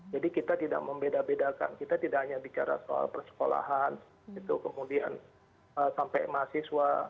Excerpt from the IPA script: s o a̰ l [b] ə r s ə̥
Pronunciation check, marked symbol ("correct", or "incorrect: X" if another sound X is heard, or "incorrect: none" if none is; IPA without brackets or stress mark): incorrect: p